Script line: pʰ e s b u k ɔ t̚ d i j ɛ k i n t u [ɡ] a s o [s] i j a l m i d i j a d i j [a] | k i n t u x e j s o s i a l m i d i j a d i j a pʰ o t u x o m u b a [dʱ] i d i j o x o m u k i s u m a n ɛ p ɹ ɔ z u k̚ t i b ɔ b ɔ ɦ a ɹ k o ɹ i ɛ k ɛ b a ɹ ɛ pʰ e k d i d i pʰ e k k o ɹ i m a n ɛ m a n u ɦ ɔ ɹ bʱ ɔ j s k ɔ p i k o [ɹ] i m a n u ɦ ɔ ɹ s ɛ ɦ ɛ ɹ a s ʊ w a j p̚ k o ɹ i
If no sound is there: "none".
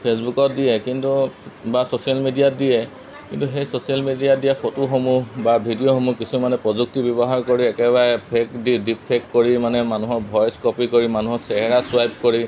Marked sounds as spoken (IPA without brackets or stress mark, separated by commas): b, s, ɛ, bʱ, ɹ